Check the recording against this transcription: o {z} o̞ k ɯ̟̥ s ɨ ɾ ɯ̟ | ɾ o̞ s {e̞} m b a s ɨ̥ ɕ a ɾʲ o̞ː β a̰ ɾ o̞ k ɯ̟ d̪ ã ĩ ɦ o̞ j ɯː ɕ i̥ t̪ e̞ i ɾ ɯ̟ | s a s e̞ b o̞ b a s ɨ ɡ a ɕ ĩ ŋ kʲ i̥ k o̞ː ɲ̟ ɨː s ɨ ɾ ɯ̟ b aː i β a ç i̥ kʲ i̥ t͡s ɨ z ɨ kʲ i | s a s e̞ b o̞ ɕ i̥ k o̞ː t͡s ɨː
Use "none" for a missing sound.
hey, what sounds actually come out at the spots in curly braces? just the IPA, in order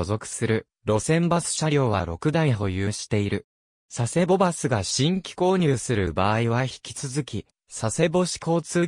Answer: z, ẽ̞

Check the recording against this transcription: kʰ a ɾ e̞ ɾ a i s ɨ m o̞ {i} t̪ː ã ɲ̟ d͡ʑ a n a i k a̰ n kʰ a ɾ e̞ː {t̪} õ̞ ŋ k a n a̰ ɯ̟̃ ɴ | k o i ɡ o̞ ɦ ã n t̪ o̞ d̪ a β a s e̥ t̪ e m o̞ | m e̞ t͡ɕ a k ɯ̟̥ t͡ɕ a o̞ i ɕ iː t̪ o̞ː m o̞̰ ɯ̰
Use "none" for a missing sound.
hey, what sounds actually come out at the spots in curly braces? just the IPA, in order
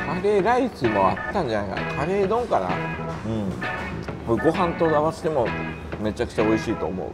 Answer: a, d̪

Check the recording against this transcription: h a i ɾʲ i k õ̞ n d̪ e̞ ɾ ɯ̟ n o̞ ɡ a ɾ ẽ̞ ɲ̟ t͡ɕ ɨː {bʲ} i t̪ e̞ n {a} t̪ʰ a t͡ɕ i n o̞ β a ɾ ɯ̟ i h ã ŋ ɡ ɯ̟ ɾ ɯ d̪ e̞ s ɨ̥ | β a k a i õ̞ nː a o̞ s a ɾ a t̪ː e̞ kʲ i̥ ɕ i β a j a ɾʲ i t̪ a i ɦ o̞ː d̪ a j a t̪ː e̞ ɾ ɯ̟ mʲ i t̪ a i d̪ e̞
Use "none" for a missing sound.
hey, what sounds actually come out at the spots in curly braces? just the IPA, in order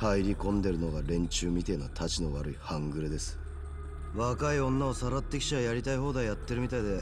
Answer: mʲ, a

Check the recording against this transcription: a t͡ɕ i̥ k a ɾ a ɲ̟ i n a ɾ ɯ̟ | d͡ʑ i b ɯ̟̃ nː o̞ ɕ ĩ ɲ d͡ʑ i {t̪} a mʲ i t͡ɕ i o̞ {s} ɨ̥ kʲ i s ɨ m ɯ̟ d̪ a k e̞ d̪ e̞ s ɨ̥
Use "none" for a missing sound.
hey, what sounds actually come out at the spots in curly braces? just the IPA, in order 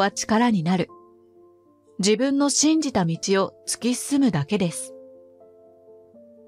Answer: t̪, t͡s

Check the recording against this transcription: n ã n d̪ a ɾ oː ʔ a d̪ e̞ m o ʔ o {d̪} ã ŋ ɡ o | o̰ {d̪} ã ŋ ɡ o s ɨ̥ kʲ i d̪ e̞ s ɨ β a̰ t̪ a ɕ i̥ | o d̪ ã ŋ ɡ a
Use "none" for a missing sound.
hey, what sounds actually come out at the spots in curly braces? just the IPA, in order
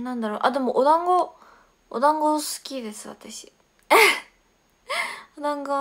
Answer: d̪, d̪

